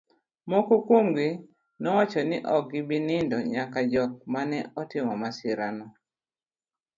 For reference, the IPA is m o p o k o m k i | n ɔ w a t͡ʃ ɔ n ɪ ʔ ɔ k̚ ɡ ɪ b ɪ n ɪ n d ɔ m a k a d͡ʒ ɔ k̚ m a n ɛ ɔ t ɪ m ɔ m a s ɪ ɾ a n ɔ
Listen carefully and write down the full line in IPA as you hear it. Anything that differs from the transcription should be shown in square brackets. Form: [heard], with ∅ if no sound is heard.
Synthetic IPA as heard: m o [k] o k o m [ɡ] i | n ɔ w a t͡ʃ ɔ n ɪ ʔ ɔ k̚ ɡ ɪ b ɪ n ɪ n d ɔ [ɲ] a k a d͡ʒ ɔ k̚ m a n ɛ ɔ t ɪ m ɔ m a s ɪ ɾ a n ɔ